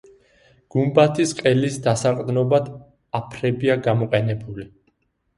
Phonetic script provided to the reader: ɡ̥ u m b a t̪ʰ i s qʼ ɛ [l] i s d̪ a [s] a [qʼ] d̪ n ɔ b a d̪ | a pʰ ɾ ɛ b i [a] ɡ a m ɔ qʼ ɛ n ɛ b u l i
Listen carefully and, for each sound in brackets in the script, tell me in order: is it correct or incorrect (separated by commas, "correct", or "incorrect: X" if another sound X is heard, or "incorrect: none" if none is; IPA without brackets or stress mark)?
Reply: correct, correct, correct, correct